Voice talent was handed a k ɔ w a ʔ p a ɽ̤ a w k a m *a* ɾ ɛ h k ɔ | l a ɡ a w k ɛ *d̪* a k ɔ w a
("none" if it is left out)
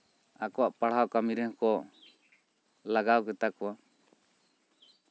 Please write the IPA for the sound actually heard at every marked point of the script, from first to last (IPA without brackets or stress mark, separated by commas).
i, t̪